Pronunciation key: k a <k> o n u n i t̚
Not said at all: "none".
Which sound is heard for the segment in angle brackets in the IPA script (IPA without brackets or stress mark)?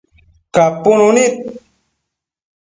p